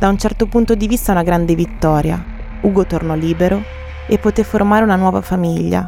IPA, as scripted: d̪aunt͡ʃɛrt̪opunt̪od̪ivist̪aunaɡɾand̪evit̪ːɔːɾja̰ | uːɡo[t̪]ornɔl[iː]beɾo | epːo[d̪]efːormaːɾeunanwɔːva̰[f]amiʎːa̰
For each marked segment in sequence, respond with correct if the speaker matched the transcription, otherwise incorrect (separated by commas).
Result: correct, correct, incorrect, correct